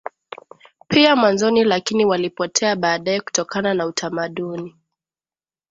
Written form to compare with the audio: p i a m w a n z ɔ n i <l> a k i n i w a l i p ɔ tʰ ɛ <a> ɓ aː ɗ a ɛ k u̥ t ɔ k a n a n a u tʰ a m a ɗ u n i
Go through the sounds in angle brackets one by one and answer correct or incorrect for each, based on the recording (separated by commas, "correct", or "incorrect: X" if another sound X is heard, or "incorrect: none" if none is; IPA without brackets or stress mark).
correct, correct